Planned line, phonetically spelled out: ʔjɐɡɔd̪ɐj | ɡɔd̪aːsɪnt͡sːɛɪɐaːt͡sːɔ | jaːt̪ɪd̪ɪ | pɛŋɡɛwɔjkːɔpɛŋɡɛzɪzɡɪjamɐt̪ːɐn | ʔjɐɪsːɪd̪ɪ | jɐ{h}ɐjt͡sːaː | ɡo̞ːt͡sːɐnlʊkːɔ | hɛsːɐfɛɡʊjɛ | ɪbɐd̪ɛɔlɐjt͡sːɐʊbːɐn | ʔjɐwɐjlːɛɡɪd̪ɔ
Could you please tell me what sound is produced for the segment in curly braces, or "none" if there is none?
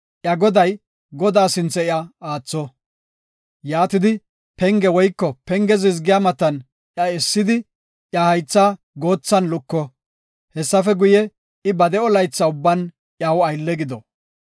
h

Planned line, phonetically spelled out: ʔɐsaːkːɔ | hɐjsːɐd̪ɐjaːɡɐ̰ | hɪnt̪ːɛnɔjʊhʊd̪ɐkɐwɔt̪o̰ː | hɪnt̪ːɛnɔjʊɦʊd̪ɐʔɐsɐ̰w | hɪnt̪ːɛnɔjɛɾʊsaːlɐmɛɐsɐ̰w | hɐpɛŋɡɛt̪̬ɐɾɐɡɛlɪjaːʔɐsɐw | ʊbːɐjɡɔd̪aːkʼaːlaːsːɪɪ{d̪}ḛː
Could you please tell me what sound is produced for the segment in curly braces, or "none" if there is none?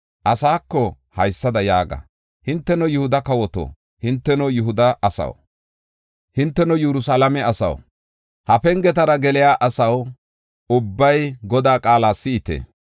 t̪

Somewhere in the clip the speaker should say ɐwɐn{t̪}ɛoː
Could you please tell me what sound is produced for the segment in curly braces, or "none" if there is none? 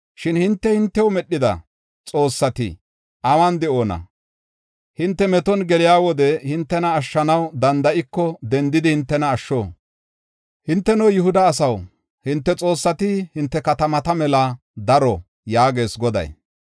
d̪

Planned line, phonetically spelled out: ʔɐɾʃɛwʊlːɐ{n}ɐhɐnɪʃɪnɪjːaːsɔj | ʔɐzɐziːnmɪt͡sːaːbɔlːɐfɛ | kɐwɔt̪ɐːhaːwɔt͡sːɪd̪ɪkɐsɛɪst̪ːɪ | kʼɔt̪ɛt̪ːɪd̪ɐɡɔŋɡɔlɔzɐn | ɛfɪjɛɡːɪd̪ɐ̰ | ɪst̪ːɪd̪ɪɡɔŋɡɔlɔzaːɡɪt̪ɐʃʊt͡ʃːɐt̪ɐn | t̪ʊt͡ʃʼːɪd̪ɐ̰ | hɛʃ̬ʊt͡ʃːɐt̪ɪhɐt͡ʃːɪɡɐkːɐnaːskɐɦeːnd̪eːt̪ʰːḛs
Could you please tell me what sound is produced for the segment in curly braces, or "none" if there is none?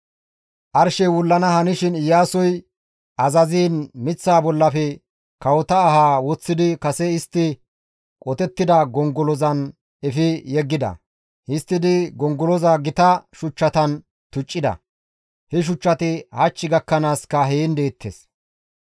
n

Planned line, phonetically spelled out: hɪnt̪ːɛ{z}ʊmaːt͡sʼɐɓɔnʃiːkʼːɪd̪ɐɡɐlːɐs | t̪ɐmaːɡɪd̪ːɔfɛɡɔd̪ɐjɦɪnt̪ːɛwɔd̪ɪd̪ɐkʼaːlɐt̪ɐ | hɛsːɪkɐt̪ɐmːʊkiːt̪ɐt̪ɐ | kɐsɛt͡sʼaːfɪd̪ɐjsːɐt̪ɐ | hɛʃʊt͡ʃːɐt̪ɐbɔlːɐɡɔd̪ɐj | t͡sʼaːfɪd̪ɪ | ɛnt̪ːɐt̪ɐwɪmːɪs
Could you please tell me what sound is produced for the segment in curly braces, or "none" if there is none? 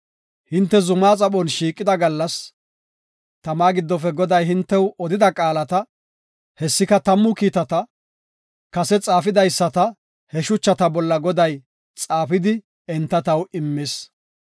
z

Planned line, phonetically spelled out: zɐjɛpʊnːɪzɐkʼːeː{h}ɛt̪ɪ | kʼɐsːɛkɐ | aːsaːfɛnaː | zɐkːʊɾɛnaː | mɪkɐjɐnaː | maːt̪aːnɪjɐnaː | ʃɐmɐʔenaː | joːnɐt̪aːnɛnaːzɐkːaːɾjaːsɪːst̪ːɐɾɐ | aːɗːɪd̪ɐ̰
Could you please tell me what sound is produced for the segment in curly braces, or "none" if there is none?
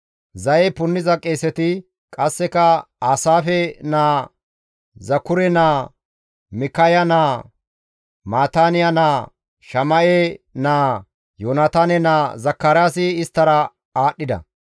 s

